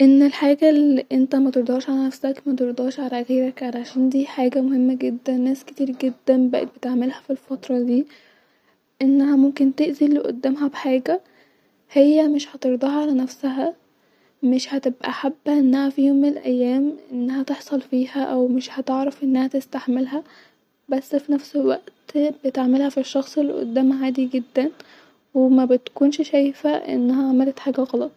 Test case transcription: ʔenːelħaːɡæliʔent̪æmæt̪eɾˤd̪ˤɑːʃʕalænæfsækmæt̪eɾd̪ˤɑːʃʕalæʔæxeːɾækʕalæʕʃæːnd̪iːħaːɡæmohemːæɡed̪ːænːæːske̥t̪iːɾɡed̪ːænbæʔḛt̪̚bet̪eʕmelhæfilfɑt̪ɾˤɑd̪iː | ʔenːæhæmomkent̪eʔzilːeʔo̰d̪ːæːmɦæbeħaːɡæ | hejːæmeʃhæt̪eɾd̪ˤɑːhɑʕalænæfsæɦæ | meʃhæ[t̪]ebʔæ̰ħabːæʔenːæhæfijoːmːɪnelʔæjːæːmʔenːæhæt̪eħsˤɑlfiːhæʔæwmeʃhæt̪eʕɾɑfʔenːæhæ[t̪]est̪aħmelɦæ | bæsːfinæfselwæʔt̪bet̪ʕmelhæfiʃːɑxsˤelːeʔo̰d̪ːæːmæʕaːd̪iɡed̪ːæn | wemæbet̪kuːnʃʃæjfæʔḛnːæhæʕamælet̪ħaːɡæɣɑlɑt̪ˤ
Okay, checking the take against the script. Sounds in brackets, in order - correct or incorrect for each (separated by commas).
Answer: correct, correct